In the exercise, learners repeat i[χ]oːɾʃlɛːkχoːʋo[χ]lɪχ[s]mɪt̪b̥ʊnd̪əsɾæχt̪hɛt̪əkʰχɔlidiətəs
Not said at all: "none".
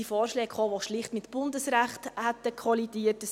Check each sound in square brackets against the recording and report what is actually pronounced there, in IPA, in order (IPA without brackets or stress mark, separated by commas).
f, ʃ, t